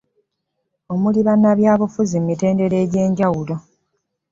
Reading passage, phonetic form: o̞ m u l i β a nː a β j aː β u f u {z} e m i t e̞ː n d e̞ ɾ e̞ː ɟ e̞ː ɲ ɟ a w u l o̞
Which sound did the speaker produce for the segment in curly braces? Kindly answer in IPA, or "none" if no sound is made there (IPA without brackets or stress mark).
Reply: z